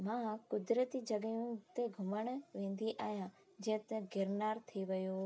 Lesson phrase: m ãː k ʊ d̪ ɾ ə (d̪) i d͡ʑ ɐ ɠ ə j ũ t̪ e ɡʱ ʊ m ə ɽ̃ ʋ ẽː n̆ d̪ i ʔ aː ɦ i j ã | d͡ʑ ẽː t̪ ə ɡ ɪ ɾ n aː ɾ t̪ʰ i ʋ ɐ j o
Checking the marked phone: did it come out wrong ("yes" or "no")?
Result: yes